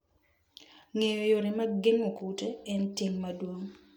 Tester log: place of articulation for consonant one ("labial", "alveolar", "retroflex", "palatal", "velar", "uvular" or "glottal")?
velar